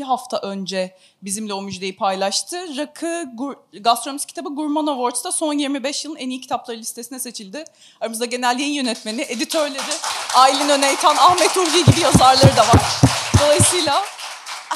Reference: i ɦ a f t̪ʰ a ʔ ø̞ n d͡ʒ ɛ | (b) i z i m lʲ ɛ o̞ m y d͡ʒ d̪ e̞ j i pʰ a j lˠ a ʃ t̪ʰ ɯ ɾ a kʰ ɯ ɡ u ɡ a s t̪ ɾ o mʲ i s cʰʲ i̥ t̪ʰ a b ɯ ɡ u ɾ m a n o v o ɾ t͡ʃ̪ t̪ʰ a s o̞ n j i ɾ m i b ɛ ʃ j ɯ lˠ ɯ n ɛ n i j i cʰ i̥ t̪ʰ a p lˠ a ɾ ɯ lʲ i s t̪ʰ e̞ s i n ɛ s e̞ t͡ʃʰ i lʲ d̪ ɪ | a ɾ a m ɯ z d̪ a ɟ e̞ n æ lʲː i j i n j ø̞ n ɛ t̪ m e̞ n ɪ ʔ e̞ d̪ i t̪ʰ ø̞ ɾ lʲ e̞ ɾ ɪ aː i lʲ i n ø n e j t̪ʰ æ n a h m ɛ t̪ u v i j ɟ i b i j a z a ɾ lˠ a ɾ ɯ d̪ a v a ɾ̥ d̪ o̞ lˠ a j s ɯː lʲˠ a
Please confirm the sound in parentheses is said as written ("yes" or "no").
yes